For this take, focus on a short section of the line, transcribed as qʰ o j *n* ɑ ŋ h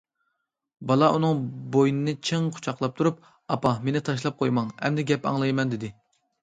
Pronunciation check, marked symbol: incorrect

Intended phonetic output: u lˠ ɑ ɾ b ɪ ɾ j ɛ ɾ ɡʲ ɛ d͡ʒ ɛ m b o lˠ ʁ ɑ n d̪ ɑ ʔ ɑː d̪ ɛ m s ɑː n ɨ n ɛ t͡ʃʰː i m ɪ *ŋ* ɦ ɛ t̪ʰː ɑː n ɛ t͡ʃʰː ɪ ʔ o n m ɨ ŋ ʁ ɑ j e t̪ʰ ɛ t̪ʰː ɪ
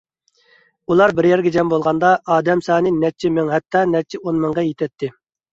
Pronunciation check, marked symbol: correct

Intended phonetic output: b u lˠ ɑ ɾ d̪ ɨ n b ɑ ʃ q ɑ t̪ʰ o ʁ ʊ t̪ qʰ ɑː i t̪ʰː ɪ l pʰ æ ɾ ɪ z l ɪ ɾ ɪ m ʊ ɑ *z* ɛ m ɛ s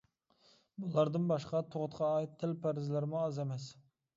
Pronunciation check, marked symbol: correct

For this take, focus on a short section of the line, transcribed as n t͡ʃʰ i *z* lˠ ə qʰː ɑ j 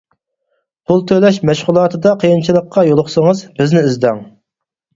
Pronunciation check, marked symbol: incorrect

